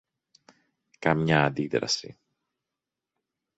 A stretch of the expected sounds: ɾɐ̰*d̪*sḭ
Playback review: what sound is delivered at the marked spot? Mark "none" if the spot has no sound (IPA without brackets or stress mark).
none